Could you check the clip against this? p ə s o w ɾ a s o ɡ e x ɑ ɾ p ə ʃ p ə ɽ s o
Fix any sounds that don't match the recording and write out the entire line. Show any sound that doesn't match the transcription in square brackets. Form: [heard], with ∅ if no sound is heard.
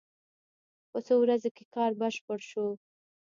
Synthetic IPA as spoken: p ə s o w ɾ a [z] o [k] e [k] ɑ ɾ [b] ə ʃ p ə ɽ [ʃ] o